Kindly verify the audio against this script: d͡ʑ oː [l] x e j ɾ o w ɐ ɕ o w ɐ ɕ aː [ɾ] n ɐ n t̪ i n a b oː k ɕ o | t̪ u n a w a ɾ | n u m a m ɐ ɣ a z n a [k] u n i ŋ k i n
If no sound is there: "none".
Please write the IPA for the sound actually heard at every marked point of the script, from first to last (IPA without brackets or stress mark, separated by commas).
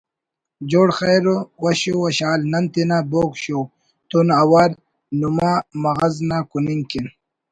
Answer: ɽ, l, k